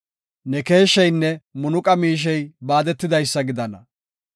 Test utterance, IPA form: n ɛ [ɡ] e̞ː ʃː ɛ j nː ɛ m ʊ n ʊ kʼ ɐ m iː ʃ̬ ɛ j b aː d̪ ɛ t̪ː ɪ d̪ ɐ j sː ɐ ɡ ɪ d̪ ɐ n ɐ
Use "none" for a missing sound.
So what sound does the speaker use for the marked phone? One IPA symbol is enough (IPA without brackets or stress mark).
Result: k